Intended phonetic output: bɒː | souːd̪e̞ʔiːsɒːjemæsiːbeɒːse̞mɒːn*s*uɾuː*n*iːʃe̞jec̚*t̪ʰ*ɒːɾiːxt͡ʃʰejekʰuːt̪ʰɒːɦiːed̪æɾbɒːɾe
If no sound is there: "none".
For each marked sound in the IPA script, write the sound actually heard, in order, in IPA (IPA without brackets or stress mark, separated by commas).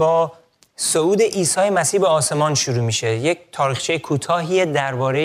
ʃ, m, t̪ʰ